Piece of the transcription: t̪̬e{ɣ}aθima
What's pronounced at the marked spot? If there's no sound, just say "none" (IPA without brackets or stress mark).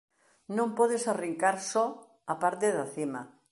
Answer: ð